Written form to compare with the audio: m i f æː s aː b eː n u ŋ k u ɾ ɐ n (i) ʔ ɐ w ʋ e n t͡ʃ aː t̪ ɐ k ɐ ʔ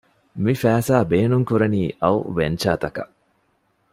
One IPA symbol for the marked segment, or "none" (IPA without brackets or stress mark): iː